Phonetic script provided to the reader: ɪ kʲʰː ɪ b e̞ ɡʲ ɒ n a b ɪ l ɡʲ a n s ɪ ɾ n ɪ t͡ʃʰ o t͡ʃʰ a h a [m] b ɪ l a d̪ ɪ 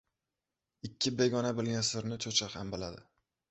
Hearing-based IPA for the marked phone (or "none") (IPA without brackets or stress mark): m